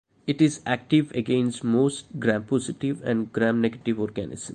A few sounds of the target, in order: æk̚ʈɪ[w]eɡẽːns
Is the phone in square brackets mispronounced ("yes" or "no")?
yes